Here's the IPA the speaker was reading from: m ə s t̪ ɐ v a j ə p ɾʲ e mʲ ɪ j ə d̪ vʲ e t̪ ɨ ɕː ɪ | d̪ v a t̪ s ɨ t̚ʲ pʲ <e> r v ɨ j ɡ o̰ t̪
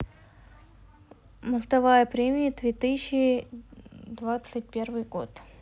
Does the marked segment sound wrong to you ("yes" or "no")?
no